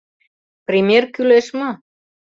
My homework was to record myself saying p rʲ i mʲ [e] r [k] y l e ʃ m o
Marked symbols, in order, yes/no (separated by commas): yes, yes